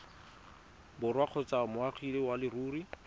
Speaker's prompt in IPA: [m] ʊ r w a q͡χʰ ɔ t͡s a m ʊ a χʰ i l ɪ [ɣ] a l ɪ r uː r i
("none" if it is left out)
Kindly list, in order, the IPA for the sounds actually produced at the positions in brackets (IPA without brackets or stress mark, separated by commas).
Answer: b, w